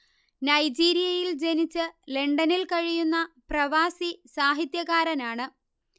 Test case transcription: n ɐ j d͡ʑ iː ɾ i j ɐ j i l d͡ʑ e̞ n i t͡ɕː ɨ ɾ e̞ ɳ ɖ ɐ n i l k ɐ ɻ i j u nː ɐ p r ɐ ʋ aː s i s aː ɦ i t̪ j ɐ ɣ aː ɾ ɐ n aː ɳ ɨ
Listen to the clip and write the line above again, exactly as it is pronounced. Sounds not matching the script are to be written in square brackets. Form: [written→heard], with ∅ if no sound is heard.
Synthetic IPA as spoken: n ɐ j d͡ʑ iː ɾ i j ɐ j i l d͡ʑ e̞ n i t͡ɕː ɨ [ɾ→l] e̞ ɳ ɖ ɐ n i l k ɐ ɻ i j u nː ɐ p r ɐ ʋ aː s i s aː ɦ i t̪ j ɐ ɣ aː ɾ ɐ n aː ɳ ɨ